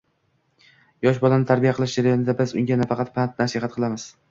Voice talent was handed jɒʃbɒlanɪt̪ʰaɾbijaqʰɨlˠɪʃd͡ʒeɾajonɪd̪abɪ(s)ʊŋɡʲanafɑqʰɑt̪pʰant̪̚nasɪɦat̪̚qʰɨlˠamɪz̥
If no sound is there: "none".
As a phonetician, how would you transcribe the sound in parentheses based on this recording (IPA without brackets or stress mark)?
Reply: z